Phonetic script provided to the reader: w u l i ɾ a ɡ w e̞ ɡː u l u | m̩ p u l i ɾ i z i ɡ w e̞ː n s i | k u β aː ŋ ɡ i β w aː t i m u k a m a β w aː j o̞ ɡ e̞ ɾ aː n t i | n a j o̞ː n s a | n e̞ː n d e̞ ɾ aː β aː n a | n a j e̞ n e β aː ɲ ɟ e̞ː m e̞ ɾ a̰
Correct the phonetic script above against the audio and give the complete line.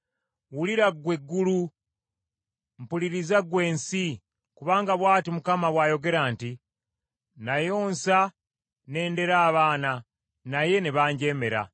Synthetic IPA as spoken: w u l i ɾ a ɡ w e̞ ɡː u l u | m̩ p u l i ɾ i z a ɡ w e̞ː n s i | k u β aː ŋ ɡ a β w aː t i m u k a m a β w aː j o̞ ɡ e̞ ɾ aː n t i | n a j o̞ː n s a | n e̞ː n d e̞ ɾ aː β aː n a | n a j e̞ n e β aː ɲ ɟ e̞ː m e̞ ɾ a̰